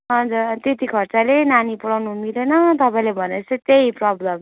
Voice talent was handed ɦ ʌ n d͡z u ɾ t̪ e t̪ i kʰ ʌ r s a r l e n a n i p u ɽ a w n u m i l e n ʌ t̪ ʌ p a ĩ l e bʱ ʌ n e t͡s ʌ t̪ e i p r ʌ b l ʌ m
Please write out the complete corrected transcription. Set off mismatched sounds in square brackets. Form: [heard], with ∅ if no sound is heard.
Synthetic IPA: ɦ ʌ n d͡z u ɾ t̪ e t̪ i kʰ ʌ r [t͡s] a [∅] l e n a n i p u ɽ a w n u m i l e n ʌ t̪ ʌ p a ĩ l e bʱ ʌ n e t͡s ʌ t̪ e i p r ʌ b l ʌ m

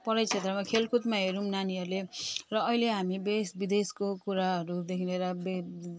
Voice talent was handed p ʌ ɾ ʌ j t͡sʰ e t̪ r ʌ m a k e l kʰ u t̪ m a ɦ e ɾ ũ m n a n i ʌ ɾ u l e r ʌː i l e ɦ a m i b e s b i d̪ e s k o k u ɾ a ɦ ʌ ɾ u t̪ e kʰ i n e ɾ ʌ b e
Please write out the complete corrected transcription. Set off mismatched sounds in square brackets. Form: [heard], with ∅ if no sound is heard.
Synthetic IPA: p ʌ ɾ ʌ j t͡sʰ e t̪ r ʌ m a [kʰ] e l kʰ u t̪ m a ɦ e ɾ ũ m n a n i ʌ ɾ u l e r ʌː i l e ɦ a m i b e s b i d̪ e s k o k u ɾ a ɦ ʌ ɾ u [d̪] e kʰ i n e ɾ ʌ b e

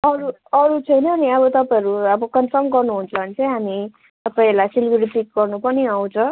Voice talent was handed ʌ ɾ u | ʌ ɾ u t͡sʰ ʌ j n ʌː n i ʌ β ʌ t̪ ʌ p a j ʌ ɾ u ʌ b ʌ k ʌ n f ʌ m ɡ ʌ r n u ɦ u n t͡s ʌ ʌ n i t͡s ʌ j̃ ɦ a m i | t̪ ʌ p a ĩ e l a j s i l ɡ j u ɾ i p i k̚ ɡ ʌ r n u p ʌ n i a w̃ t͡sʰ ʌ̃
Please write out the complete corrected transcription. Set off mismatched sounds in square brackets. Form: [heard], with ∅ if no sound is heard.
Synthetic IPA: ʌ ɾ u | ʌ ɾ u t͡sʰ ʌ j n ʌː n i ʌ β ʌ t̪ ʌ p a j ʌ ɾ u ʌ b ʌ k ʌ n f ʌ m ɡ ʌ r n u ɦ u n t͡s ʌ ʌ n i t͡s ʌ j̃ ɦ a m i | t̪ ʌ p a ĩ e l a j s i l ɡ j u ɾ i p i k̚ ɡ ʌ r n u p ʌ n i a w̃ t͡sʰ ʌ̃

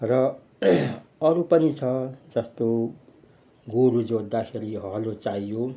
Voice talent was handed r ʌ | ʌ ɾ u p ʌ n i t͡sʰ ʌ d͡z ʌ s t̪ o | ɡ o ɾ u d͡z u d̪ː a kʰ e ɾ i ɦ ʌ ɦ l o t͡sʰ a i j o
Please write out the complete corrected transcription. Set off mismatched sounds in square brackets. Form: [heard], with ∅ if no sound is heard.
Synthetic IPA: r ʌ | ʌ ɾ u p ʌ n i t͡sʰ ʌ d͡z ʌ s t̪ o | ɡ o ɾ u d͡z [o] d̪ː a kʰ e ɾ i ɦ ʌ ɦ l o [t͡s] a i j o

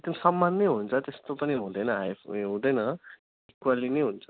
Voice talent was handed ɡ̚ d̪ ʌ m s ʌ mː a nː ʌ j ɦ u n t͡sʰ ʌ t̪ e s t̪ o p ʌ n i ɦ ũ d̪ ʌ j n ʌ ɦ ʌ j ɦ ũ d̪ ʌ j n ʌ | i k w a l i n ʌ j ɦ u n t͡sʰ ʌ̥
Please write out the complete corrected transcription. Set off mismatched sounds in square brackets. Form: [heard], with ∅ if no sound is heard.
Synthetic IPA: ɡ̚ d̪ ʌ m s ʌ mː a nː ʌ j ɦ u n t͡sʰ ʌ t̪ e s t̪ o p ʌ n i ɦ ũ d̪ ʌ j n ʌ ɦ [a] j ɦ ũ d̪ ʌ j n ʌ | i k w a l i n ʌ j ɦ u n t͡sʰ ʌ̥

